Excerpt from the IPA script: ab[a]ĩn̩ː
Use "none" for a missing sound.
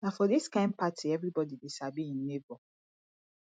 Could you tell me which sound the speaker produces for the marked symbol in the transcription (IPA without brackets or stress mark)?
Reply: i